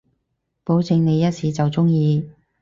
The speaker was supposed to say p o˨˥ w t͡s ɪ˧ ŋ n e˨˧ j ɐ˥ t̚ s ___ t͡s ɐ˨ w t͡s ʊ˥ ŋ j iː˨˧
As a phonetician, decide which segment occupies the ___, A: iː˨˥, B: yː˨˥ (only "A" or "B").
A